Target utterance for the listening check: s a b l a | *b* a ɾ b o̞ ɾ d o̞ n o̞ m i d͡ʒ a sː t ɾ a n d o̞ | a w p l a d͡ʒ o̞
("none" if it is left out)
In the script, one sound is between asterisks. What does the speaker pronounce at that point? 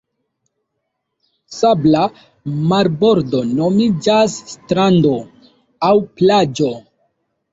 m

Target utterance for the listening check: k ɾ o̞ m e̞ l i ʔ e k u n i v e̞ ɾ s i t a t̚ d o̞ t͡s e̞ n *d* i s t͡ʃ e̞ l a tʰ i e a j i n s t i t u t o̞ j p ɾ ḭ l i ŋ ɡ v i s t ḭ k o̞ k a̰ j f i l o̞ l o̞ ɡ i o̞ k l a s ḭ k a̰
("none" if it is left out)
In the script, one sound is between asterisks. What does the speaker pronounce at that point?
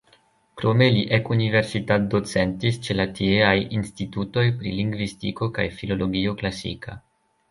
t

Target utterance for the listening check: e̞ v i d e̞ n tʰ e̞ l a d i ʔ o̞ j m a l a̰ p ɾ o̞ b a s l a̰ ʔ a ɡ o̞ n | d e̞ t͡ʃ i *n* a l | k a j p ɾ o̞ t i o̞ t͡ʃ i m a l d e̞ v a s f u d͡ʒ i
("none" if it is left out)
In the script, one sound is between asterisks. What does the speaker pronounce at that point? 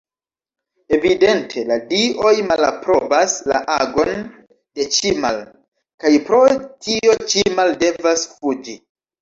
m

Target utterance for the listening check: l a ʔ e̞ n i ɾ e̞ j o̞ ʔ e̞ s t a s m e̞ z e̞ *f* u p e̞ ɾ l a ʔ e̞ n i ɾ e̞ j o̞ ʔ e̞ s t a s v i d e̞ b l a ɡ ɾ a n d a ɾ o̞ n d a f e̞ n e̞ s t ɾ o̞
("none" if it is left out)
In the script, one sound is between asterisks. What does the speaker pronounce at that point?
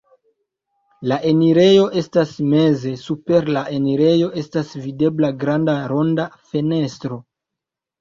s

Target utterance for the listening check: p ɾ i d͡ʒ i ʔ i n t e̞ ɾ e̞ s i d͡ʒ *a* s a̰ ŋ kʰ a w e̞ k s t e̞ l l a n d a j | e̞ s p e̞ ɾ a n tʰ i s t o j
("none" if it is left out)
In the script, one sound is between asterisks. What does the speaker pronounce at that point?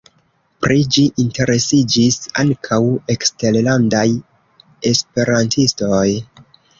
i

